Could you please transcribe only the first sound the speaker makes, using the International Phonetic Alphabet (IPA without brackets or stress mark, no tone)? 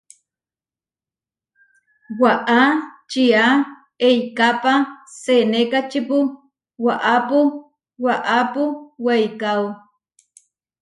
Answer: w